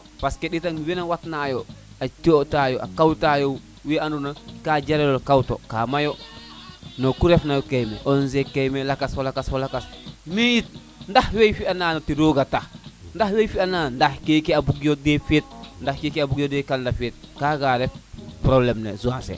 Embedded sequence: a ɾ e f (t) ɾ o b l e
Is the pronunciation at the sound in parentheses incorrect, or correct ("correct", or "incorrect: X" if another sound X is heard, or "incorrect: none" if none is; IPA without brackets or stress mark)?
incorrect: p